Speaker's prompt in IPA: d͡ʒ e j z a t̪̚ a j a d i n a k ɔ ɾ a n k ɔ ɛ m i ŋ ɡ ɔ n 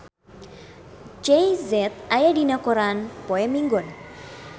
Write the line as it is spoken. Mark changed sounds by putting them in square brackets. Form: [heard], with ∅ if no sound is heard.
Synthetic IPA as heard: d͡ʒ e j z [ɛ] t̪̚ a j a d i n a k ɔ ɾ a n [p] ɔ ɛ m i ŋ ɡ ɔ n